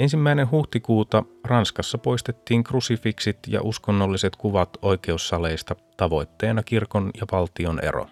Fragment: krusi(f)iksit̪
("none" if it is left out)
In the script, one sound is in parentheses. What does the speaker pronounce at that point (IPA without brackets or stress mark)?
f